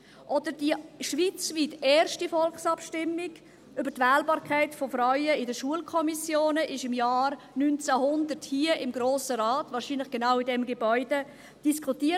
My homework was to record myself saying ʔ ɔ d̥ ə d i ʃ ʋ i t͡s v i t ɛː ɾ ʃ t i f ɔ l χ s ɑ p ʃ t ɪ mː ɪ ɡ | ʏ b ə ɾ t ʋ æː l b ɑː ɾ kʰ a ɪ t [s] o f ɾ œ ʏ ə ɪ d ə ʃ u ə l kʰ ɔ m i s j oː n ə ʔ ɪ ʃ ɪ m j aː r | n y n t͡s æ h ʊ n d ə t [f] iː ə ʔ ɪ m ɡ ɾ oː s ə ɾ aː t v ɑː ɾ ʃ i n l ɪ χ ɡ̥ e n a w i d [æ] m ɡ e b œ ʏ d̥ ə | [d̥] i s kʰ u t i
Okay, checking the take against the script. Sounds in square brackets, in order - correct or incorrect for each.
incorrect, incorrect, incorrect, correct

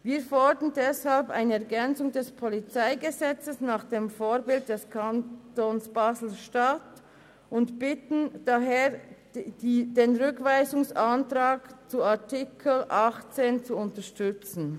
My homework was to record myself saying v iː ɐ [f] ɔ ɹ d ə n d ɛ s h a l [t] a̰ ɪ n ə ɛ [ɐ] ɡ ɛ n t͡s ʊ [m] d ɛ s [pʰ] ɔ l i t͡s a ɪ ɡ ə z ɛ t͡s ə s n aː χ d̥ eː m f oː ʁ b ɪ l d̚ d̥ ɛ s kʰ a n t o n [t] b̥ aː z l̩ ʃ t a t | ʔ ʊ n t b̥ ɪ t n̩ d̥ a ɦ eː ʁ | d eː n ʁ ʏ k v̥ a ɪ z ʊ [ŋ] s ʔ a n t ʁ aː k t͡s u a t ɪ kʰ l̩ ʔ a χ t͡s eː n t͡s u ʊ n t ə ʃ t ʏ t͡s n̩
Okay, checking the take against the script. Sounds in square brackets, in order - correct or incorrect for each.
correct, incorrect, correct, incorrect, correct, incorrect, correct

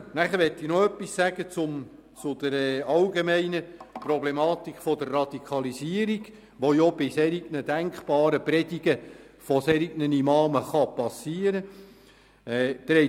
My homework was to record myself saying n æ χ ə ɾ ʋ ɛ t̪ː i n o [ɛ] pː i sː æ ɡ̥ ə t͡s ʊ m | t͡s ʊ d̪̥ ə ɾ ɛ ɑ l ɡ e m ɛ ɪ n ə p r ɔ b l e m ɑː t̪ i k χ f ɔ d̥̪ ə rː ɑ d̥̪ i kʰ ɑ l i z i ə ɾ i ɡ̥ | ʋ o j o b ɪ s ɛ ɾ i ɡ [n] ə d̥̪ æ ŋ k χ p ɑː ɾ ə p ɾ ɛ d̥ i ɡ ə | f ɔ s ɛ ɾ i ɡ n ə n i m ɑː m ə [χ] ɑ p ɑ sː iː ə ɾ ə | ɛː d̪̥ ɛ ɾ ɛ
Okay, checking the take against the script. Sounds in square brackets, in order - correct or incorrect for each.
incorrect, correct, correct

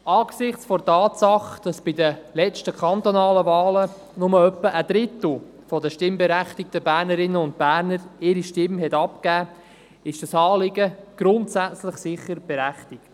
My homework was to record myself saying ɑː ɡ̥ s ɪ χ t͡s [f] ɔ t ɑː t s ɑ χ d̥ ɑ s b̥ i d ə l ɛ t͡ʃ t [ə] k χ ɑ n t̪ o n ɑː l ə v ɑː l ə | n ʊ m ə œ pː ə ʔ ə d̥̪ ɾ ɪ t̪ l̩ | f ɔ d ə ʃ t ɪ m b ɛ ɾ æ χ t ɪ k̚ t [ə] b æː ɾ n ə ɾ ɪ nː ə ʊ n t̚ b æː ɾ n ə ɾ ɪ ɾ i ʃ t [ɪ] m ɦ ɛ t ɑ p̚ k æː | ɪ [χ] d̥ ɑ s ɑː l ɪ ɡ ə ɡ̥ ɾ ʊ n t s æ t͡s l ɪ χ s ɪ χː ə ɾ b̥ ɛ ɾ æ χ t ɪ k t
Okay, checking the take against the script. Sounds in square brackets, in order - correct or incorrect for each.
correct, correct, correct, correct, incorrect

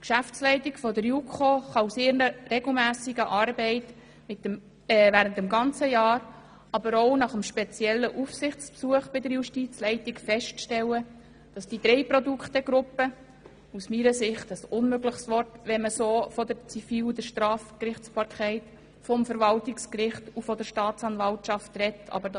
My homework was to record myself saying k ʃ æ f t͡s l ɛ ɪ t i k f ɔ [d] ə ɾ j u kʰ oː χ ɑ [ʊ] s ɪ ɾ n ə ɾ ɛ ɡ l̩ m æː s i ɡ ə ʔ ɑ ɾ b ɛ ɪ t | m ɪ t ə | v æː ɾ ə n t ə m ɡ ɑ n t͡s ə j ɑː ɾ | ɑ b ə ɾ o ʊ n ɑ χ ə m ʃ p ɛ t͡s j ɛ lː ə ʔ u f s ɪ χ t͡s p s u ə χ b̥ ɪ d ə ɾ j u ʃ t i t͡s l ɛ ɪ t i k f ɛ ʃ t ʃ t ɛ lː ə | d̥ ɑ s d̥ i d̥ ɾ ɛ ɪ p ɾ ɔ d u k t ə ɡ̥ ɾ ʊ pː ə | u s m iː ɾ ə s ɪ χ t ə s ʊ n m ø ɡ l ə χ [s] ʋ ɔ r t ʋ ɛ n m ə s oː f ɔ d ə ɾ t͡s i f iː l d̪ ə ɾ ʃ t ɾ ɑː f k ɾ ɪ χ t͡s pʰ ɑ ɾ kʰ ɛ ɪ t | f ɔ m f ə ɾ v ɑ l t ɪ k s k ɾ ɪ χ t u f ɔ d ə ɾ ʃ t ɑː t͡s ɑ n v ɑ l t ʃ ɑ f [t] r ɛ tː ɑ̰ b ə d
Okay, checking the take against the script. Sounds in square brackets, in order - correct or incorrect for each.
correct, incorrect, correct, correct

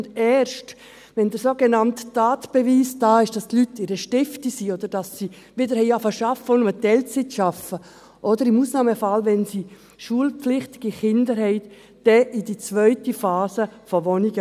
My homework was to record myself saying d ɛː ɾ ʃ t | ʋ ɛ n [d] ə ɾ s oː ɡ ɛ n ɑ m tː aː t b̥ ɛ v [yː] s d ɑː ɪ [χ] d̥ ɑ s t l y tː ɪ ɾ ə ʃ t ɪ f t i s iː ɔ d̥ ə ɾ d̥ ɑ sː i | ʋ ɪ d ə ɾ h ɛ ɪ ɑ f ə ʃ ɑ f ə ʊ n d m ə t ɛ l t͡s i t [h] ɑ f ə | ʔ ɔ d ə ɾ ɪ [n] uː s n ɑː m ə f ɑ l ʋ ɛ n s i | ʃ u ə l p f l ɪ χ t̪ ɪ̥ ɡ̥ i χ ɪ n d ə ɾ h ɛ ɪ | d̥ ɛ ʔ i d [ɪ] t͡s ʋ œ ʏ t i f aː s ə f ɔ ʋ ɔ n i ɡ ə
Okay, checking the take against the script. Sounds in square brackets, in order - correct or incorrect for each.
correct, incorrect, incorrect, incorrect, incorrect, incorrect

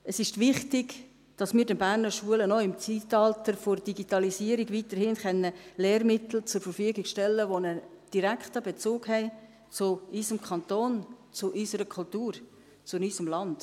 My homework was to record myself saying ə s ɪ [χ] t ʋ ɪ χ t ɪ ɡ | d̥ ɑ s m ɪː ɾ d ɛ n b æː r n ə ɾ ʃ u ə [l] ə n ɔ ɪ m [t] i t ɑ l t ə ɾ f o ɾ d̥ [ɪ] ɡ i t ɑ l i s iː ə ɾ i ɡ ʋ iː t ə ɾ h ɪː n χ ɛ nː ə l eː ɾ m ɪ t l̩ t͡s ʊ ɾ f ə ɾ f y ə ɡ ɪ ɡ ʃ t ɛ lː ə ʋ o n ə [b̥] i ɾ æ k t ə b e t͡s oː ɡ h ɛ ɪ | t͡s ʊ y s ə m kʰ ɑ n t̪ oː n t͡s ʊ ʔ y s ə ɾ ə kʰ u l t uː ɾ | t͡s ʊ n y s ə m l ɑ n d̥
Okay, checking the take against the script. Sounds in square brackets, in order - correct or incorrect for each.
incorrect, correct, incorrect, incorrect, incorrect

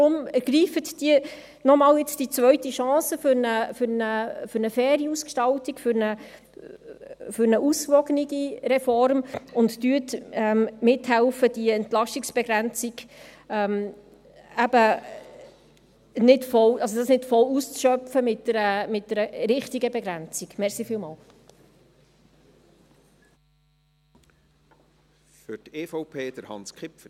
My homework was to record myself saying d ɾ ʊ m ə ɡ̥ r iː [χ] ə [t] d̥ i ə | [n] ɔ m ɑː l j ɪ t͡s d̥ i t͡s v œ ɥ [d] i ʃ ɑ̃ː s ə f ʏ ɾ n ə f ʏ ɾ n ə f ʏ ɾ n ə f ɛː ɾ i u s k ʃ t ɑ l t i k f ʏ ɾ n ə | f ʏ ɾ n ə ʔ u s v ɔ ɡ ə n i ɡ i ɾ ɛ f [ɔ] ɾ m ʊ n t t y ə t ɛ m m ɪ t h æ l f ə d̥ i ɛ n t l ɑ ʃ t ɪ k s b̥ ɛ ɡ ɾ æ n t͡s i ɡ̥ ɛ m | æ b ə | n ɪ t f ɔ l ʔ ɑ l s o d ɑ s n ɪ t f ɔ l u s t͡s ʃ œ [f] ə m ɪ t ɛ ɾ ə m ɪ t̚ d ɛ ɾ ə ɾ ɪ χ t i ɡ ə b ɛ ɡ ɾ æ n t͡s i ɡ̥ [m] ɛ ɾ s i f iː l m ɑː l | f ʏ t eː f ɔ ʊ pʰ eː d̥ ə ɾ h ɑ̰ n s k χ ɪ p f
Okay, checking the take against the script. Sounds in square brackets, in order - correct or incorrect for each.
incorrect, correct, correct, incorrect, correct, correct, correct

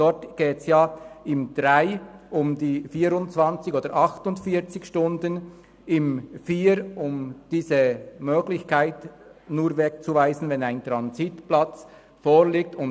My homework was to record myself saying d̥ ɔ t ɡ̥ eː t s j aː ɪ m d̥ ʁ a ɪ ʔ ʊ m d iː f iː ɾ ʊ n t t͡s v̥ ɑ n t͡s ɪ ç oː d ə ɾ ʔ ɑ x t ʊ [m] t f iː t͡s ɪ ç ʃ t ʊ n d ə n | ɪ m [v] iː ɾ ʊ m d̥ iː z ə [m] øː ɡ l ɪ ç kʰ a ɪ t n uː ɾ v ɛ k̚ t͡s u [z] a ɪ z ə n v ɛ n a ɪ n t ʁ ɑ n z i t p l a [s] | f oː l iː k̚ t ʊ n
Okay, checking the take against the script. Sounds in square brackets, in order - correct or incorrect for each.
incorrect, incorrect, correct, incorrect, incorrect

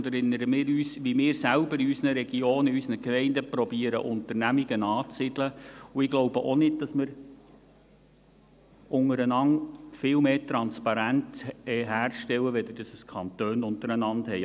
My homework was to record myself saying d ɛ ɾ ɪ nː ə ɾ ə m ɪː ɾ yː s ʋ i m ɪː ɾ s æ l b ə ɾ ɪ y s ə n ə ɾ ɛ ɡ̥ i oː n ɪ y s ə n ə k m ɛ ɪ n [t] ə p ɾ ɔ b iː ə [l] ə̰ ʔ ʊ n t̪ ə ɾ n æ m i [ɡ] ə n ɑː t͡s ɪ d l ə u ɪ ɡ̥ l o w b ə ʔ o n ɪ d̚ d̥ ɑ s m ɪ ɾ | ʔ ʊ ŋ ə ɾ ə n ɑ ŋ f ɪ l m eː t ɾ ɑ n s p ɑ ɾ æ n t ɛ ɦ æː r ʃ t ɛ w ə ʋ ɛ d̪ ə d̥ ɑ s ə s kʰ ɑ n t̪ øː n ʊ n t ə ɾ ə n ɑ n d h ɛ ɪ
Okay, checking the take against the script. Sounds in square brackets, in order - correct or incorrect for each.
incorrect, incorrect, correct

